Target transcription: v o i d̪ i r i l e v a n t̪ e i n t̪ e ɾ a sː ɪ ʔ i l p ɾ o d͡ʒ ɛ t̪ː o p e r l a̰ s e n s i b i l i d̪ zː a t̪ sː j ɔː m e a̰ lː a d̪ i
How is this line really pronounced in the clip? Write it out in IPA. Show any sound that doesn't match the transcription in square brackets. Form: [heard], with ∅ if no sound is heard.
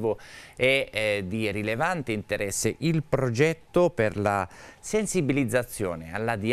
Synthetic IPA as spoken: v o [ɛ] d̪ i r i l e v a n t̪ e i n t̪ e ɾ [ɛ] sː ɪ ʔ i l p ɾ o d͡ʒ ɛ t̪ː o p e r l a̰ s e n s i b i l i d̪ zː a t̪ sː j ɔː [n] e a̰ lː a d̪ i